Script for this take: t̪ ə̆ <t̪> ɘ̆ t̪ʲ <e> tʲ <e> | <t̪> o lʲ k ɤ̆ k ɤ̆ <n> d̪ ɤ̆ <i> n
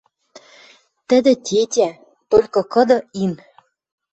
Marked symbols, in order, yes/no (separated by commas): no, yes, no, yes, no, yes